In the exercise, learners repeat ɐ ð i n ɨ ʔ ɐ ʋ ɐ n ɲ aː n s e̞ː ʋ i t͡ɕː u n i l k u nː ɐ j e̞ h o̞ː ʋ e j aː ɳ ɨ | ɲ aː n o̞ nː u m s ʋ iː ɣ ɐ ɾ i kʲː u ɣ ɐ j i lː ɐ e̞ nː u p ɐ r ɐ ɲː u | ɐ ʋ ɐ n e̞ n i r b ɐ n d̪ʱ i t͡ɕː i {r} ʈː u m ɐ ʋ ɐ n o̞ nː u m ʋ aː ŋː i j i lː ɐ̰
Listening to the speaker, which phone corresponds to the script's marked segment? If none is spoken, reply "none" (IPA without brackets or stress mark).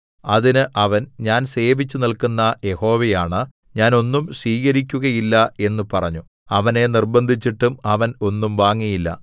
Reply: none